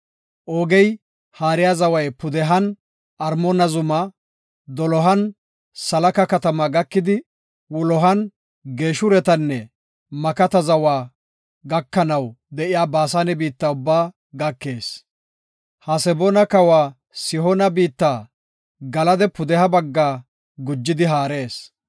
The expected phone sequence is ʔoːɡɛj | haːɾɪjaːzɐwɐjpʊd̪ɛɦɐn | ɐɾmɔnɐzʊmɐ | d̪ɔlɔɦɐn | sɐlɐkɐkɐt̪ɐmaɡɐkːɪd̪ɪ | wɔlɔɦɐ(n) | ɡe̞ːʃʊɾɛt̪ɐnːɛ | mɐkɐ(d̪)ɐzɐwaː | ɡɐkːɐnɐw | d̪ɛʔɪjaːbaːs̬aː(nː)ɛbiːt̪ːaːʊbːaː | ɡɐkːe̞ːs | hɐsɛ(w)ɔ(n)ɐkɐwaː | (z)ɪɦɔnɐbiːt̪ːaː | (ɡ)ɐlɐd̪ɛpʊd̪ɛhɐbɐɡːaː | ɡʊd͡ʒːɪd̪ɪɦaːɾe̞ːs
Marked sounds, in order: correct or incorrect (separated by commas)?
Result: correct, incorrect, incorrect, incorrect, correct, incorrect, correct